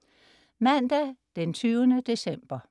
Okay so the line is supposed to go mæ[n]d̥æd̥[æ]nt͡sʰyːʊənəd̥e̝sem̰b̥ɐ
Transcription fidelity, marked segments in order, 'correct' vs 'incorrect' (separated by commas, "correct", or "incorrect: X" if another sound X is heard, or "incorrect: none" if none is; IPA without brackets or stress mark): correct, incorrect: e